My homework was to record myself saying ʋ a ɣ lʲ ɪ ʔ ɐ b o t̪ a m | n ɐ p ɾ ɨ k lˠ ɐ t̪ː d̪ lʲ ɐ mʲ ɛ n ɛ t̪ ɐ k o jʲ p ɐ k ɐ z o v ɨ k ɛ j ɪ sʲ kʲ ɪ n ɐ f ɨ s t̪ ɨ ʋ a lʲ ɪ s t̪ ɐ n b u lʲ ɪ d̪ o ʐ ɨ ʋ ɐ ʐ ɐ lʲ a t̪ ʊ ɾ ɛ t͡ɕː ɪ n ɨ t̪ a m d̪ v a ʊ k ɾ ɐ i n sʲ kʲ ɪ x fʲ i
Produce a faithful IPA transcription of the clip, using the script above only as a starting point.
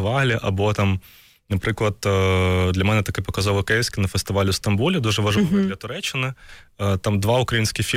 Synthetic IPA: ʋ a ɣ lʲ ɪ ʔ ɐ b o t̪ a m | n ɐ p ɾ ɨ k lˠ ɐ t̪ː d̪ lʲ ɐ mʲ ɛ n ɛ t̪ ɐ k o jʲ p ɐ k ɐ z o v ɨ k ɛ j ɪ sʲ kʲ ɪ n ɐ f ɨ s t̪ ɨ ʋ a lʲ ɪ s t̪ ɐ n b u lʲ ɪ d̪ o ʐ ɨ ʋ ɐ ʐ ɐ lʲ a t̪ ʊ ɾ ɛ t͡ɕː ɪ n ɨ t̪ a m d̪ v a ʊ k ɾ ɐ i n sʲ kʲ ɪ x fʲ i